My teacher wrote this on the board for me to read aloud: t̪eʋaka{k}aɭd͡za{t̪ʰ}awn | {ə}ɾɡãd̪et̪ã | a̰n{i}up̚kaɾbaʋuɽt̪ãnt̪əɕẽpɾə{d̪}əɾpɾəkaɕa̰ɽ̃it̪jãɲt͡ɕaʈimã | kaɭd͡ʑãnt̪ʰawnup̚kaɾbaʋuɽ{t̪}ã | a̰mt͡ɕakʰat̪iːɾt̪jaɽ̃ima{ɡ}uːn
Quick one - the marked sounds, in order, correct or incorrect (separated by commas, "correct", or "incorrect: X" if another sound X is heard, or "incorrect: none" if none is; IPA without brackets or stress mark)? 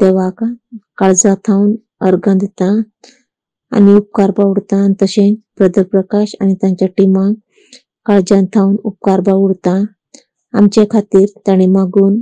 correct, correct, correct, correct, correct, correct, correct